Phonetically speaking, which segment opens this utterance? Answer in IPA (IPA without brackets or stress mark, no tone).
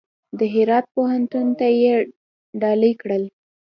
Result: d̪